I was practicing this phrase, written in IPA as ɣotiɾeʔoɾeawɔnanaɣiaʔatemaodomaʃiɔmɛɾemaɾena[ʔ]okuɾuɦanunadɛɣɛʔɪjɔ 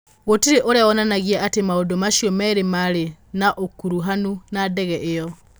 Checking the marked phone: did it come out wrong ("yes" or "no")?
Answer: no